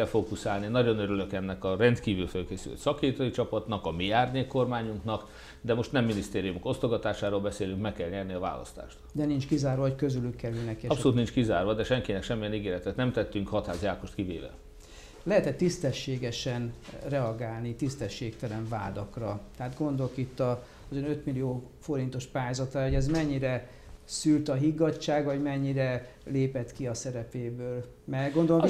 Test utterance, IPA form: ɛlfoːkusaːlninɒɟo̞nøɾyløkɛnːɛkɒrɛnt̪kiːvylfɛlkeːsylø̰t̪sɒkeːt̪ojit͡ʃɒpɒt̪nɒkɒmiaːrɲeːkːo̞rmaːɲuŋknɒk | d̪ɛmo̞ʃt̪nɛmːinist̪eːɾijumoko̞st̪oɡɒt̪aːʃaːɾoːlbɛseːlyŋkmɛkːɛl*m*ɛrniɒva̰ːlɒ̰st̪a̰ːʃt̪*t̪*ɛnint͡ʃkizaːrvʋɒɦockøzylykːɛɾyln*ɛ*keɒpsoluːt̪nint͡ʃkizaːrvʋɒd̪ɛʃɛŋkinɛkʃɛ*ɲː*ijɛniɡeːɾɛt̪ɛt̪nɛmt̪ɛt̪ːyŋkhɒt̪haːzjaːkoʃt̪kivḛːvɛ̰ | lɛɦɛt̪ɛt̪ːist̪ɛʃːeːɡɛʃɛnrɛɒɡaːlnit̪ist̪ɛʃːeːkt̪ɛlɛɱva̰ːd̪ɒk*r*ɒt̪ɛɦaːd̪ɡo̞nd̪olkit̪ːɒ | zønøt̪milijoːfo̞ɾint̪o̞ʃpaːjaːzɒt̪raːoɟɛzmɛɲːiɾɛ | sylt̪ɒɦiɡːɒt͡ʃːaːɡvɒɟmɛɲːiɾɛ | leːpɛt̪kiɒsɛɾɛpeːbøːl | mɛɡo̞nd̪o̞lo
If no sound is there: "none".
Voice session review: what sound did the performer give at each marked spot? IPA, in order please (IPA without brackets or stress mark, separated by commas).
ɲ, d̪, ɛ, mː, r